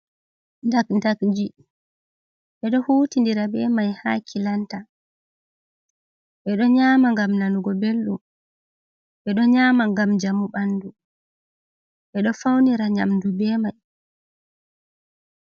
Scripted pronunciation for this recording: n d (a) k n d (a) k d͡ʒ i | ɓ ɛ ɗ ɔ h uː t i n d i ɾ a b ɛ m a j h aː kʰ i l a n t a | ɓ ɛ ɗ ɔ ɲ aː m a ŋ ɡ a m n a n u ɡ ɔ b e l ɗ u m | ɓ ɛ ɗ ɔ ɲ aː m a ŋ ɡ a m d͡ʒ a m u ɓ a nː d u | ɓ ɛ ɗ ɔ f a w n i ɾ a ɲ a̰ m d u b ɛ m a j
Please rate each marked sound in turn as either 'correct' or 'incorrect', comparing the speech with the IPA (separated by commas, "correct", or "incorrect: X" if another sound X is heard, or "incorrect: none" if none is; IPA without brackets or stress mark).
correct, correct